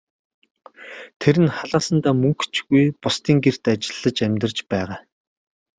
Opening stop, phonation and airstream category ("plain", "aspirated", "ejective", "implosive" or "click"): aspirated